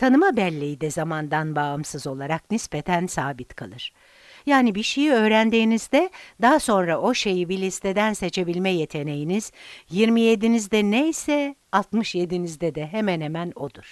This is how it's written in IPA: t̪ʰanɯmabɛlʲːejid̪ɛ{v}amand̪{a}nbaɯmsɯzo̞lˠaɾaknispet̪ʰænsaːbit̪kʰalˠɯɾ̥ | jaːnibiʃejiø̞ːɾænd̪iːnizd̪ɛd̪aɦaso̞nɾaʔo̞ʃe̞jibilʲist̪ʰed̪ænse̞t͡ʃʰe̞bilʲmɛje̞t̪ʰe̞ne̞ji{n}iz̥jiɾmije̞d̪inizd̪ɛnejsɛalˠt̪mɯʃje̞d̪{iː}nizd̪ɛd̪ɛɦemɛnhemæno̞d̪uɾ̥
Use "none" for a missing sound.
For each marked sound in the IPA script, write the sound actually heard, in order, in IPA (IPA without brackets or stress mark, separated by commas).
z, a, n, i